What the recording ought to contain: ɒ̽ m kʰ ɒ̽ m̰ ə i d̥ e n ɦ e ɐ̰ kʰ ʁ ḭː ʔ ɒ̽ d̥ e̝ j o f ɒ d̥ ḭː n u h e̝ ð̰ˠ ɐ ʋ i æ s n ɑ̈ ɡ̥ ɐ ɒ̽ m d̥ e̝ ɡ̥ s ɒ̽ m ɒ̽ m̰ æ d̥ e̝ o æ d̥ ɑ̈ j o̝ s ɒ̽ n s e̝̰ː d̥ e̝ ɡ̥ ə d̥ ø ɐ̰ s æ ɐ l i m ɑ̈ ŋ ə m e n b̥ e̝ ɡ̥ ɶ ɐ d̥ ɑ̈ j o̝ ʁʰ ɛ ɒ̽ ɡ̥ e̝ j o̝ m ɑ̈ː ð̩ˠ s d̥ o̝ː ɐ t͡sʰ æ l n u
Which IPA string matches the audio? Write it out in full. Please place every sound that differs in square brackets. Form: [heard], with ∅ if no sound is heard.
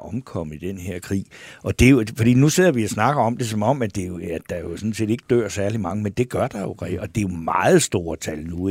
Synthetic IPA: ɒ̽ m kʰ ɒ̽ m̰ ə i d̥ e n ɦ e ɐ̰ kʰ ʁ ḭː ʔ ɒ̽ d̥ e̝ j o f ɒ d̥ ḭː n u [s] e̝ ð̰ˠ ɐ ʋ i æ s n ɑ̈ ɡ̥ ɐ ɒ̽ m d̥ e̝ [∅] s ɒ̽ m ɒ̽ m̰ æ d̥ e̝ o æ d̥ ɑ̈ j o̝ s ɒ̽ n s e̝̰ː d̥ e̝ ɡ̥ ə d̥ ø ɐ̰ s æ ɐ l i m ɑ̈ ŋ ə m e n [d̥] e̝ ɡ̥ ɶ ɐ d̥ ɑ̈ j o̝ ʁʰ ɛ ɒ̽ [d̥] e̝ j o̝ m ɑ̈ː ð̩ˠ s d̥ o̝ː ɐ t͡sʰ æ l n u